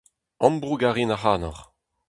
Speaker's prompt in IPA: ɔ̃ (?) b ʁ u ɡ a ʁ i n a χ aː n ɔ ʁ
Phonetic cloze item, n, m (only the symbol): m